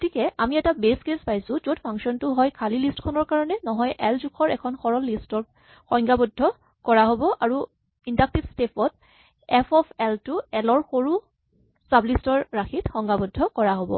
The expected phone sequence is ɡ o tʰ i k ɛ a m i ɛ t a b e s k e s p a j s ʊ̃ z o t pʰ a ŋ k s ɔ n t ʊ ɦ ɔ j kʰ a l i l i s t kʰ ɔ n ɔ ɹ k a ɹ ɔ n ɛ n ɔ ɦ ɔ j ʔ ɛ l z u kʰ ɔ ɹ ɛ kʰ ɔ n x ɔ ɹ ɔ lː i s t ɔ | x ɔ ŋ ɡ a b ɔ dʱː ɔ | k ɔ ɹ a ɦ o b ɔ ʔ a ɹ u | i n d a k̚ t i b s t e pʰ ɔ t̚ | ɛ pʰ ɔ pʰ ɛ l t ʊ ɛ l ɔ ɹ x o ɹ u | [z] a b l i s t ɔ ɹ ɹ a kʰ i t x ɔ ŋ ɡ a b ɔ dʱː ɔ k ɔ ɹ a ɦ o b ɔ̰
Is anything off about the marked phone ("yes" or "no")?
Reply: yes